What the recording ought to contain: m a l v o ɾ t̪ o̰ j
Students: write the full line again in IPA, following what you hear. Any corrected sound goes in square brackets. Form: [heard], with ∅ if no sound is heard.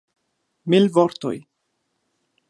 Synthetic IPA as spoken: m [i] l v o ɾ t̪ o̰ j